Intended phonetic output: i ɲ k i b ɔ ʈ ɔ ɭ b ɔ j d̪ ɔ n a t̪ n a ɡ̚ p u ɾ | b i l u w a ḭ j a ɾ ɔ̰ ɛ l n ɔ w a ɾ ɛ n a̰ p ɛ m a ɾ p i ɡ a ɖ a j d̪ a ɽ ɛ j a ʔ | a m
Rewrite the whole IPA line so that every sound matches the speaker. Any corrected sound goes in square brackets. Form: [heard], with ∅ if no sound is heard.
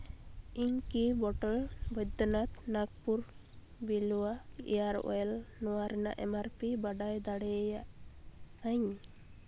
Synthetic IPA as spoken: i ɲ k i b ɔ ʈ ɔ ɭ b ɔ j d̪ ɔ n a t̪ n a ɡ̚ p u ɾ | b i l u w a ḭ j a ɾ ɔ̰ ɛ l n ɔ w a ɾ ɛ n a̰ [ʔ] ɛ m a ɾ p i [b] a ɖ a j d̪ a ɽ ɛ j a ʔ | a [ɲ]